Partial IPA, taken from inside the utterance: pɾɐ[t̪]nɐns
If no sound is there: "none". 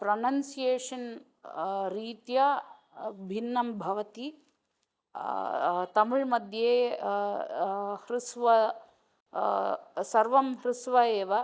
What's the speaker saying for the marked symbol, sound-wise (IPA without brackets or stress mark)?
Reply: none